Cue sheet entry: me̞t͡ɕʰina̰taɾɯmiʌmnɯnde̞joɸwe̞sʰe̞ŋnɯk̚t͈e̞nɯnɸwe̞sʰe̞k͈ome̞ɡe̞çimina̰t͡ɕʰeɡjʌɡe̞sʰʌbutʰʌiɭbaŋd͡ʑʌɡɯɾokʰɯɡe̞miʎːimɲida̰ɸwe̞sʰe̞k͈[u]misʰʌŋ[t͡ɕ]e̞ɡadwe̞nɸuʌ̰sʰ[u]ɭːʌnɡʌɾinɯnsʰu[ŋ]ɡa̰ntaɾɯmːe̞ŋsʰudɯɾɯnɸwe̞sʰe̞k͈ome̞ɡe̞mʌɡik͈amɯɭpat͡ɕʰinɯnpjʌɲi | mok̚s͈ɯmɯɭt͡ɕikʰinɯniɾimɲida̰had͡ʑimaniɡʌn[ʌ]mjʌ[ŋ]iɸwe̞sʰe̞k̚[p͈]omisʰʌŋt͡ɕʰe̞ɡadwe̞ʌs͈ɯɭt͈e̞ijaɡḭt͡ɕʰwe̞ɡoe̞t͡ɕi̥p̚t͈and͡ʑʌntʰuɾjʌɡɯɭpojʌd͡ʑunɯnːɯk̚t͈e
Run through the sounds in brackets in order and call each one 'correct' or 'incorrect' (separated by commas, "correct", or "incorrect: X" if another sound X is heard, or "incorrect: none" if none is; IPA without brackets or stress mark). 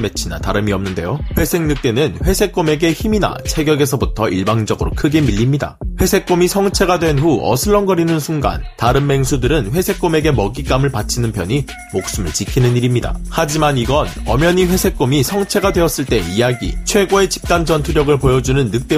incorrect: o, incorrect: t͡ɕʰ, incorrect: ɯ, correct, correct, incorrect: ɲ, incorrect: k͈